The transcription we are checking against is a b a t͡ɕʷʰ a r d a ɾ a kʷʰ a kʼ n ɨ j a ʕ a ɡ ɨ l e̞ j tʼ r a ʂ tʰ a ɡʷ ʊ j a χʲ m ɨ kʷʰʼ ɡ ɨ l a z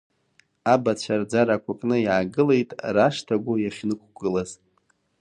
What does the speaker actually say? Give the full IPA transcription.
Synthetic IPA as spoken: a b a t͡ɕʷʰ a r d͡z a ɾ a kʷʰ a kʼ n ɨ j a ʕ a ɡ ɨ l e̞ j tʼ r a ʂ tʰ a ɡʷ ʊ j a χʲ n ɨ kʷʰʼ ɡ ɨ l a z